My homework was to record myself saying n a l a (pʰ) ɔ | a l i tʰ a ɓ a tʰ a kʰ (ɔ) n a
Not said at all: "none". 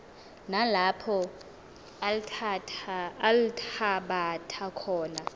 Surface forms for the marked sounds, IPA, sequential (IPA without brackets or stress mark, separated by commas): pʰ, ɔː